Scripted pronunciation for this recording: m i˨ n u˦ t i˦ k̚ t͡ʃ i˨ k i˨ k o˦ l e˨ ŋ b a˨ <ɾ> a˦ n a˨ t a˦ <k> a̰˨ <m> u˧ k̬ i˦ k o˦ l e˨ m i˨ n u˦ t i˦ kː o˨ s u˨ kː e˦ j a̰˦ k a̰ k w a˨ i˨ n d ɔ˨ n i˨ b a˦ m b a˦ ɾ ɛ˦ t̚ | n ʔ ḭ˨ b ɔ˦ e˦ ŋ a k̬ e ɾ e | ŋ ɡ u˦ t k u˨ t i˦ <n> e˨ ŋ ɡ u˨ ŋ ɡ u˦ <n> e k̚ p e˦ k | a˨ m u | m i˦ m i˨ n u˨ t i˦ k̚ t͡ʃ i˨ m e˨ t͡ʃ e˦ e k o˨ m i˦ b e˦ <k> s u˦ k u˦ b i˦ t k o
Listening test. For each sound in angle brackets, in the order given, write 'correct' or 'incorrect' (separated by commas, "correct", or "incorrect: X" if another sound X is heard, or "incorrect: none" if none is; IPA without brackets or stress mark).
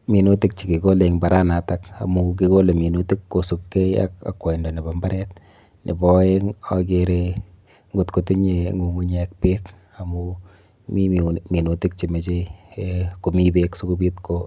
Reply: correct, correct, correct, incorrect: ɲ, incorrect: ɲ, correct